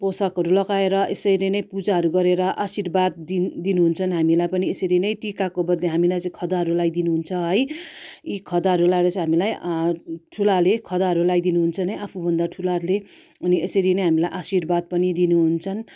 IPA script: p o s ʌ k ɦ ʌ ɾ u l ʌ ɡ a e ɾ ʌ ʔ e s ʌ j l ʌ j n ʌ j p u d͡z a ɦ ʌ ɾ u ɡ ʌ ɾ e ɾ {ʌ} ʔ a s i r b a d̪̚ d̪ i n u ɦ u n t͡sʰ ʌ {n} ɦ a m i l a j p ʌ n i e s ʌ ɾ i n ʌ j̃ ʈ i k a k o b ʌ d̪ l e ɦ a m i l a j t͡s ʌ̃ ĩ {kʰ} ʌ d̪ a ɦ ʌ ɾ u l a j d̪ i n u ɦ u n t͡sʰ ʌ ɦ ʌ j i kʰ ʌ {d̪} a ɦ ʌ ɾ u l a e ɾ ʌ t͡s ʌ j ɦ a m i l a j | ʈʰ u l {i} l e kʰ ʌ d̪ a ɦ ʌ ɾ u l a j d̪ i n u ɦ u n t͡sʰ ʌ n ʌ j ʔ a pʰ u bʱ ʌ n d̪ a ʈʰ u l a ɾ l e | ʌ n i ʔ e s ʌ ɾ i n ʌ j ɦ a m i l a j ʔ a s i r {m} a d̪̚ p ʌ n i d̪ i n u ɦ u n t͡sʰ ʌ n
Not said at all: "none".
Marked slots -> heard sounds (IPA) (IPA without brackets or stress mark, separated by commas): ʌ, n, kʰ, d̪, a, b